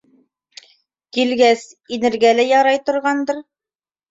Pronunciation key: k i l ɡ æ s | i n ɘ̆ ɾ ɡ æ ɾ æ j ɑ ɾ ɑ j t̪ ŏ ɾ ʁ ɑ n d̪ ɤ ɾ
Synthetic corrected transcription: k i l ɡ æ s | i n ɘ̆ ɾ ɡ æ l æ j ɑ ɾ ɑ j t̪ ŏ ɾ ʁ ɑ n d̪ ɤ ɾ